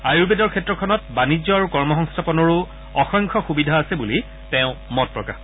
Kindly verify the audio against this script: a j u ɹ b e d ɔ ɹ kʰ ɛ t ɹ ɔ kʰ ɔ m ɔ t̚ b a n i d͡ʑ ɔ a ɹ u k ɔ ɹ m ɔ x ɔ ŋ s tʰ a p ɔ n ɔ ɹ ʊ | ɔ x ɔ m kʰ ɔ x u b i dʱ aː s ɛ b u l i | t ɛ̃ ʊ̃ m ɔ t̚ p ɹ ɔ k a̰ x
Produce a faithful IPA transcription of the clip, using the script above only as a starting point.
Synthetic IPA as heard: a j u ɹ b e d ɔ ɹ kʰ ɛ t ɹ ɔ kʰ ɔ n ɔ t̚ b a n i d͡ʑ ɔ a ɹ u k ɔ ɹ m ɔ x ɔ ŋ s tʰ a p ɔ n ɔ ɹ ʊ | ɔ x ɔ ŋ kʰ ɔ x u b i dʱ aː s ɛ b u l i | t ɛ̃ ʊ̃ m ɔ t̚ p ɹ ɔ k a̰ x

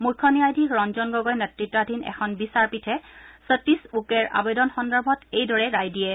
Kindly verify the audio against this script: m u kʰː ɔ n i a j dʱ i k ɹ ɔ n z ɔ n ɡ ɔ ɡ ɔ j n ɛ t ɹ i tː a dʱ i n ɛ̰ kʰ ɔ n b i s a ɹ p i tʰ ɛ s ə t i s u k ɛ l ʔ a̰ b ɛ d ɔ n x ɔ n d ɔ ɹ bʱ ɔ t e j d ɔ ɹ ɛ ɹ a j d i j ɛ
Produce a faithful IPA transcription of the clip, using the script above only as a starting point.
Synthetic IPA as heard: m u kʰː ɔ n i a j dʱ i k ɹ ɔ n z ɔ n ɡ ɔ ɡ ɔ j n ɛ t ɹ i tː a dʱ i n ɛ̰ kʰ ɔ n b i s a ɹ p i tʰ ɛ s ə t i s u k ɛ ɹ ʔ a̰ b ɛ d ɔ n x ɔ n d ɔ ɹ bʱ ɔ t e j d ɔ ɹ ɛ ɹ a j d i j ɛ

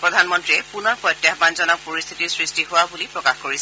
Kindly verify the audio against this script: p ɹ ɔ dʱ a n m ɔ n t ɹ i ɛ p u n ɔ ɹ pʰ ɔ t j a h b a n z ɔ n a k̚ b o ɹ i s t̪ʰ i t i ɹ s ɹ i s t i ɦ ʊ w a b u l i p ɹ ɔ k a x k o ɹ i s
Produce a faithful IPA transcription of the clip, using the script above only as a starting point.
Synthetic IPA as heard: p ɹ ɔ dʱ a n m ɔ n t ɹ i ɛ p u n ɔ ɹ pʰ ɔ t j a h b a n z ɔ n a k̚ p o ɹ i s t̪ʰ i t i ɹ s ɹ i s t i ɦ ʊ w a b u l i p ɹ ɔ k a x k o ɹ i s

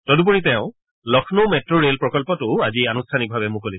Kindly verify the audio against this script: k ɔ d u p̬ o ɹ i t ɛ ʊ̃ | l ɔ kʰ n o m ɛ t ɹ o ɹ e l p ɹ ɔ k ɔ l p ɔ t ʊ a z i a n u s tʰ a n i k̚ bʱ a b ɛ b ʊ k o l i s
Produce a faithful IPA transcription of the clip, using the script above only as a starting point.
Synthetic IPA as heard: t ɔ d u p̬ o ɹ i t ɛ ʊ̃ | l ɔ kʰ n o m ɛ t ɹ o ɹ e l p ɹ ɔ k ɔ l p ɔ t ʊ a z i a n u s tʰ a n i k̚ bʱ a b ɛ m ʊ k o l i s

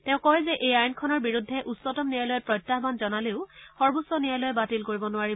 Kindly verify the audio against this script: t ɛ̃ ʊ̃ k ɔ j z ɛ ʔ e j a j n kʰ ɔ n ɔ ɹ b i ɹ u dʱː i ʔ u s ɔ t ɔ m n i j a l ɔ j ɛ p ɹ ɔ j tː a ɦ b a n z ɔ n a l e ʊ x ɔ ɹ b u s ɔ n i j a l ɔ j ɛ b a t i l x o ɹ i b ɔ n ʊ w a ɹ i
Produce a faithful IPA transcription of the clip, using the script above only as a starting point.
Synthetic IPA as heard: t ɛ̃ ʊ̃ k ɔ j z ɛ ʔ e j a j n kʰ ɔ n ɔ ɹ b i ɹ u dʱː ɛ ʔ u s ɔ t ɔ m n i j a l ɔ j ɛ p ɹ ɔ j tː a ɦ b a n z ɔ n a l e ʊ x ɔ ɹ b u s ɔ n i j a l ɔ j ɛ b a t i l k o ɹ i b ɔ n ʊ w a ɹ i

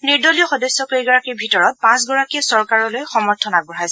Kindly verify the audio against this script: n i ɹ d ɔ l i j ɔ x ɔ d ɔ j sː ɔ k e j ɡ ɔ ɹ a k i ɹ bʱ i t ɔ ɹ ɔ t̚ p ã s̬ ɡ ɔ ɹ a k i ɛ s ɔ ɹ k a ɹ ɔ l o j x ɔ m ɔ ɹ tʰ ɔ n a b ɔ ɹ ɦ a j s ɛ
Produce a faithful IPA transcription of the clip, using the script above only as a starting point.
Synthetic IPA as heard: n i ɹ d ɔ l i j ɔ x ɔ d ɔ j sː ɔ k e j ɡ ɔ ɹ a k i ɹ bʱ i t ɔ ɹ ɔ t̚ p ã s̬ ɡ ɔ ɹ a k i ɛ s ɔ ɹ k a ɹ ɔ l o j x ɔ m ɔ ɹ tʰ ɔ n a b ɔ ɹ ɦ a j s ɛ

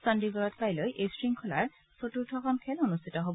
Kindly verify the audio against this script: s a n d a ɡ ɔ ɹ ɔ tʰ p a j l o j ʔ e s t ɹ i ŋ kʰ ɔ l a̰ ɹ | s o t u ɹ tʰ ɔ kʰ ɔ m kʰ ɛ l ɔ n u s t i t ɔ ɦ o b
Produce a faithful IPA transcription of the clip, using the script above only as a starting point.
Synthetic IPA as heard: s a n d i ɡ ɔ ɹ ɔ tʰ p a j l o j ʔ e s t ɹ i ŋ kʰ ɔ l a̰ ɹ | s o t u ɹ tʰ ɔ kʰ ɔ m kʰ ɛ l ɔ n u s t i t ɔ ɦ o b

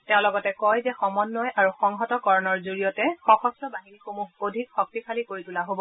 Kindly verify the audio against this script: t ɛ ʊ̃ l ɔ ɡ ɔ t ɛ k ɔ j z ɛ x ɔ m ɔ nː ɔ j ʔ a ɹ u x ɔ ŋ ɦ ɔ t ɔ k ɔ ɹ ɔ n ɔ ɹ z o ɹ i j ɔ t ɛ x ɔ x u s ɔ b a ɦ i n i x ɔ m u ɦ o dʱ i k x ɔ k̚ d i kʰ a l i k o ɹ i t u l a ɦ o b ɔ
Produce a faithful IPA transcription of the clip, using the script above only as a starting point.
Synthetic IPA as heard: t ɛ ʊ̃ l ɔ ɡ ɔ t ɛ k ɔ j z ɛ x ɔ m ɔ nː ɔ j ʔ a ɹ u x ɔ ŋ ɦ ɔ t ɔ k ɔ ɹ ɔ n ɔ ɹ z o ɹ i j ɔ t ɛ x ɔ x ɔ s ɔ b a ɦ i n i x o m u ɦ o dʱ i k x ɔ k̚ t i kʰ a l i k o ɹ i t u l a ɦ o b ɔ

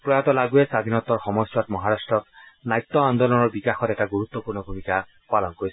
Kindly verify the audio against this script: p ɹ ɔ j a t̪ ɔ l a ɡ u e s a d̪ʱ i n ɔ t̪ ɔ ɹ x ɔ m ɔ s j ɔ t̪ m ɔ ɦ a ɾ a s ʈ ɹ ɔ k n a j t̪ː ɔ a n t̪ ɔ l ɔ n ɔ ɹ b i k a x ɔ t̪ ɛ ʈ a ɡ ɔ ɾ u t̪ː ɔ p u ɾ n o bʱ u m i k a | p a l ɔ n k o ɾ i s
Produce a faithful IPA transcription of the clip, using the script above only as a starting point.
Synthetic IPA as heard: p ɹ ɔ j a t̪ ɔ l a ɡ u e s a d̪ʱ i n ɔ t̪ ɔ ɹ x ɔ m ɔ s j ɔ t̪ m ɔ ɦ a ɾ a s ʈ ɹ ɔ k n a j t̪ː ɔ a n d̪ ɔ l ɔ n ɔ ɹ b i k a x ɔ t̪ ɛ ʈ a ɡ u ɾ u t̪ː ɔ p u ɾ n ɔ bʱ u m i k a | p a l ɔ n k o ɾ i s

